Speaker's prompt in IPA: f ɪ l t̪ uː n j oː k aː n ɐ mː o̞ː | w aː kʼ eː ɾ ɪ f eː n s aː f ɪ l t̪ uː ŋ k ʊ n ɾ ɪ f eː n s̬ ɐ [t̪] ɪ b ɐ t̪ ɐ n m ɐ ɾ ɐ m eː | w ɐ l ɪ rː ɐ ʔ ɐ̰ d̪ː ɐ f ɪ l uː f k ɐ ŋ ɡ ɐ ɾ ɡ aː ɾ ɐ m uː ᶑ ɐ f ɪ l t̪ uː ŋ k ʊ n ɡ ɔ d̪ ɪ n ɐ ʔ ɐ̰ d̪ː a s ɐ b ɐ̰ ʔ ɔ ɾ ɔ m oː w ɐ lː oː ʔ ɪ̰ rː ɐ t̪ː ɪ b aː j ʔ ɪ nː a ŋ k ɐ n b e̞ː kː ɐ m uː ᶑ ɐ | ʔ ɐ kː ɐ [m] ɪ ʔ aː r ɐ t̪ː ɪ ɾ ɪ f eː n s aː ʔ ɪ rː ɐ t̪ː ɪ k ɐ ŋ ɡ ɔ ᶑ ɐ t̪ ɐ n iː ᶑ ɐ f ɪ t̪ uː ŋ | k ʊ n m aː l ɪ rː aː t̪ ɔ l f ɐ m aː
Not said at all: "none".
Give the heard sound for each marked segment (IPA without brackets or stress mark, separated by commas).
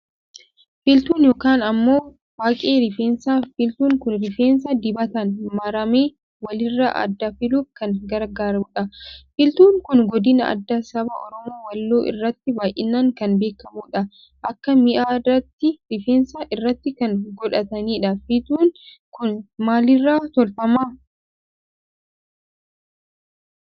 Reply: d̪, m